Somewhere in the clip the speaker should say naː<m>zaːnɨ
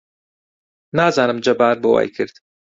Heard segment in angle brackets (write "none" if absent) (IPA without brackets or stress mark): none